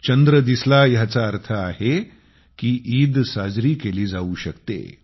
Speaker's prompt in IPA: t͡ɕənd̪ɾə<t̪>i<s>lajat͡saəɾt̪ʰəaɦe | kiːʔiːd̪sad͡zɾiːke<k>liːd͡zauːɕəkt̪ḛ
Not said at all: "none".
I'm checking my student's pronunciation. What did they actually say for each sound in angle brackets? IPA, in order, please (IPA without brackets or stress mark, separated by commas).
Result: d̪, s, none